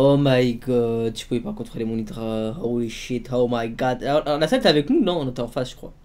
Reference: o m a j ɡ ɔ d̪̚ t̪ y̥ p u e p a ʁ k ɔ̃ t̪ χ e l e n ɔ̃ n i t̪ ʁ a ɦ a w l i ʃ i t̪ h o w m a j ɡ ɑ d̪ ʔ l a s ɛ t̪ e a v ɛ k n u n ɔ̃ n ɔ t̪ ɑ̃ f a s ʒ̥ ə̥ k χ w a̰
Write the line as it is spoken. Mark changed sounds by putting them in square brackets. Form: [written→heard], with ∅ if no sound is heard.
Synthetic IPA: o m a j ɡ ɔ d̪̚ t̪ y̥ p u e p a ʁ k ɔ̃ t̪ χ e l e [n→m] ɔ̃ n i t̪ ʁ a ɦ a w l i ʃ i t̪ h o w m a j ɡ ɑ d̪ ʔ l a s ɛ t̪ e a v ɛ k n u n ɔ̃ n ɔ t̪ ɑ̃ f a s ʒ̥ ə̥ k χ w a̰